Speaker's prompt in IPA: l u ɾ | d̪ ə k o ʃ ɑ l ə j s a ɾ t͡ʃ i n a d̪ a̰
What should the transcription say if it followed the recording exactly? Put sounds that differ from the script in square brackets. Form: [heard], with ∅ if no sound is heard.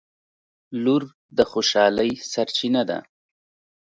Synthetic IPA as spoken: l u ɾ | d̪ ə [x] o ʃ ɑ l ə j s a ɾ t͡ʃ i n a d̪ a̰